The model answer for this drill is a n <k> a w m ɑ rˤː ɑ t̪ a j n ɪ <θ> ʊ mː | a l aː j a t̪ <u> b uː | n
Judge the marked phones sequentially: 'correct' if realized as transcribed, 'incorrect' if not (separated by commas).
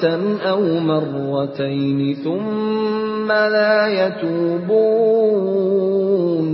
incorrect, correct, incorrect